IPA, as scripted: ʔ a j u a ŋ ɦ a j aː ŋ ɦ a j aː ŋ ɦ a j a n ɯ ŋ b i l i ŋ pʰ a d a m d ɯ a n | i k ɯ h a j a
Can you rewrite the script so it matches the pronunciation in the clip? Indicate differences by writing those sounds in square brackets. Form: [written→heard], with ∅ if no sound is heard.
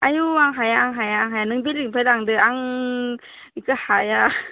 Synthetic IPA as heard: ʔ a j u a ŋ ɦ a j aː ŋ ɦ a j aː ŋ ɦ a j a n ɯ ŋ b i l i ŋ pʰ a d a [m→ŋ] d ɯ a [n→ŋ] | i k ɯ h a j a